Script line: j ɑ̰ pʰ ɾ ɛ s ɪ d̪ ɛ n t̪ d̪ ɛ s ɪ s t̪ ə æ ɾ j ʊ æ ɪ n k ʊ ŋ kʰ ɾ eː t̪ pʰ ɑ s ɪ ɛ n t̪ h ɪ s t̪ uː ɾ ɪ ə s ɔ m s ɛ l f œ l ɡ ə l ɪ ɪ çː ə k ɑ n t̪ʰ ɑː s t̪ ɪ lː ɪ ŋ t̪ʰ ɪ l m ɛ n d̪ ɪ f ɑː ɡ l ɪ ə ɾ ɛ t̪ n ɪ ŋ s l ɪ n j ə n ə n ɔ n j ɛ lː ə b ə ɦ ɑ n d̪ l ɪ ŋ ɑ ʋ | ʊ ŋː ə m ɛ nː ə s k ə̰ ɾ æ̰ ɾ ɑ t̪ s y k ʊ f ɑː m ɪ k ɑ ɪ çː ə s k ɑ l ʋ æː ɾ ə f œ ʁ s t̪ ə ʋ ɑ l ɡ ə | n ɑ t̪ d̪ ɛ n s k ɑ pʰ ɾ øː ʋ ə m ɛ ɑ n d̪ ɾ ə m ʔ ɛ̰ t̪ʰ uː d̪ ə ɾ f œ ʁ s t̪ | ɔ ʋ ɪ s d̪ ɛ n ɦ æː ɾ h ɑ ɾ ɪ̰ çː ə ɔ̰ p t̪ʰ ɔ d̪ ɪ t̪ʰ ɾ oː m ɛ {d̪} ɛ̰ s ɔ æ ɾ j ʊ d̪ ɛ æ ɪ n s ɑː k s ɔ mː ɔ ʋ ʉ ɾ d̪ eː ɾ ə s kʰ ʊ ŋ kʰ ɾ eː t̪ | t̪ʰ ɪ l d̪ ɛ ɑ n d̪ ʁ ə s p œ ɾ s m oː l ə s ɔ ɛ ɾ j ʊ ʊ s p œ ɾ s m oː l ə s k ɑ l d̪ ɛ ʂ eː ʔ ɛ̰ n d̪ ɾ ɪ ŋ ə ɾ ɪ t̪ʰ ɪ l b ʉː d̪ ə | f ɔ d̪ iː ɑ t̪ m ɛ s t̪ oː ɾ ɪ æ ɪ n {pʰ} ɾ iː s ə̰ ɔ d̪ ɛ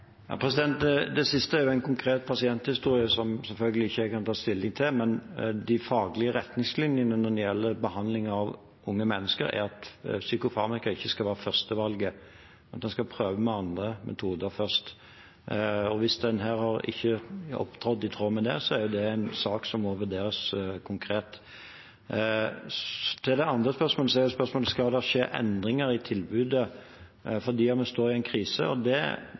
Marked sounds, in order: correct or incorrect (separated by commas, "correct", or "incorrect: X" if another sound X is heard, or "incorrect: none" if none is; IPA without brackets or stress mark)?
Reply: correct, incorrect: kʰ